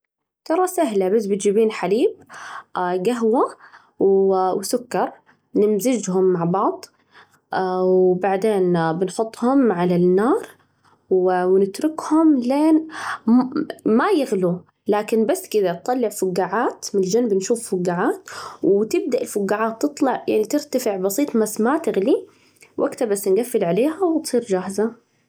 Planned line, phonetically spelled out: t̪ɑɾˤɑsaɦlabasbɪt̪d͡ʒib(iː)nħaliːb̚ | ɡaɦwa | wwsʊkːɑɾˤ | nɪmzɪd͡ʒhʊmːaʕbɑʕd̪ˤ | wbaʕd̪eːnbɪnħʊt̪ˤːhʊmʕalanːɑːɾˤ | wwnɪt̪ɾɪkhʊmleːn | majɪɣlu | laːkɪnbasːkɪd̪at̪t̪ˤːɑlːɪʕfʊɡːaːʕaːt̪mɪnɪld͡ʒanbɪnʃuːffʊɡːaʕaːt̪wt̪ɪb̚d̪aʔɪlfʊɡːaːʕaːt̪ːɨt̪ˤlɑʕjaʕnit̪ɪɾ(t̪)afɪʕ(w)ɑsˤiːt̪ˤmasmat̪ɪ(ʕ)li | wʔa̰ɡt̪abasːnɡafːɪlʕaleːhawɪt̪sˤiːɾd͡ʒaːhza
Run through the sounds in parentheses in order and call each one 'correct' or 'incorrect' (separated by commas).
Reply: correct, correct, incorrect, incorrect